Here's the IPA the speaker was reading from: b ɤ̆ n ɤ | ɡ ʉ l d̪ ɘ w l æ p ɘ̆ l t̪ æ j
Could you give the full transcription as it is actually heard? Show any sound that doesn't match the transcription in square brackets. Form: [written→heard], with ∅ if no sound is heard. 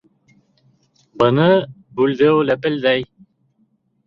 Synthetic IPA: b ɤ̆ n ɤ | [ɡ→b] ʉ l d̪ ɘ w l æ p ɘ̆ l [t̪→d̪] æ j